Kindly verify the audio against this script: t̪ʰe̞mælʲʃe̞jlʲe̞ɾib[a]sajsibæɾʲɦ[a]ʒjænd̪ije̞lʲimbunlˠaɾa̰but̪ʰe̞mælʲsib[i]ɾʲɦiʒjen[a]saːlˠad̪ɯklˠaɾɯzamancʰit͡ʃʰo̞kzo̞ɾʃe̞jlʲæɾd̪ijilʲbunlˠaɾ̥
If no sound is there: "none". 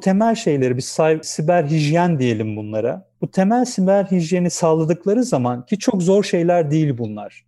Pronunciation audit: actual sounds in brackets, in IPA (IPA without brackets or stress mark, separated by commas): i, i, æ, i